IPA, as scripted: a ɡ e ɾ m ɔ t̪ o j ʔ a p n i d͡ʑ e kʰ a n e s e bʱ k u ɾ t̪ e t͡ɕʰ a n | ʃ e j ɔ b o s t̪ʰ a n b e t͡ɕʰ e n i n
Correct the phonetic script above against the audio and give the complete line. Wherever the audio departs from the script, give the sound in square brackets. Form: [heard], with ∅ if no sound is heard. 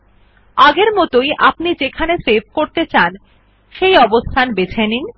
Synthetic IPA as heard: a ɡ e ɾ m ɔ t̪ o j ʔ a p n i d͡ʑ e kʰ a n e s e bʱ k [o] ɾ t̪ e [t͡ɕ] a n | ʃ e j ɔ b o s t̪ʰ a n b e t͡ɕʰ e n i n

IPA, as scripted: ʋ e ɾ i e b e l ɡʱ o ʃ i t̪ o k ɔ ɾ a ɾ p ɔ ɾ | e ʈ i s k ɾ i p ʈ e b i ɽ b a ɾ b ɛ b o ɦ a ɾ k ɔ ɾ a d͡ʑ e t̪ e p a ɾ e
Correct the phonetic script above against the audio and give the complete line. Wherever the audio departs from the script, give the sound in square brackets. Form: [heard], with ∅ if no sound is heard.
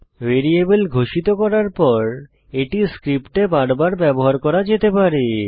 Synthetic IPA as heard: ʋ e ɾ i e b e l ɡʱ o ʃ i t̪ o k ɔ ɾ a ɾ p ɔ ɾ | e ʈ i s k ɾ i p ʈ e b [a] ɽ b a ɾ b ɛ b o ɦ a ɾ k ɔ ɾ a d͡ʑ e t̪ e p a ɾ e

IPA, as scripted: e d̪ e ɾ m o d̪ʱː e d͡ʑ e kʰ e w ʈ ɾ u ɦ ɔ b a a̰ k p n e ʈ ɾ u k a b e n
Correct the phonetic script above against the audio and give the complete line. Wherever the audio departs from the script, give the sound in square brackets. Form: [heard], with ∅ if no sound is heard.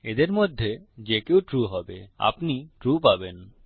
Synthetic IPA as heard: e d̪ e ɾ m o d̪ʱː e d͡ʑ e [k] e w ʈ ɾ u ɦ ɔ b [e] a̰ [∅] p n [i] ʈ ɾ u [p] a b e n

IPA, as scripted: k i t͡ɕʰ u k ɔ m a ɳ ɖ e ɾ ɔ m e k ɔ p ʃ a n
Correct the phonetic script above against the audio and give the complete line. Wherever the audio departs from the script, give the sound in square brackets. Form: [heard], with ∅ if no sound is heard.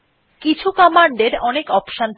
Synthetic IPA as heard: k i t͡ɕʰ u k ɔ m a ɳ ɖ e ɾ ɔ [n] e k ɔ p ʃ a n

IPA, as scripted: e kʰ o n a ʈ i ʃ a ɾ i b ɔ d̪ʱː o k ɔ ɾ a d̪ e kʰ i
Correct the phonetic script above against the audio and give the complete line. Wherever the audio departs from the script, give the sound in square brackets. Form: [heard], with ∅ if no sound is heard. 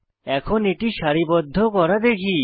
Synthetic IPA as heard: [ɛ] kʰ o n [e] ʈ i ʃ a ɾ i b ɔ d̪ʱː o k ɔ ɾ a d̪ e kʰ i

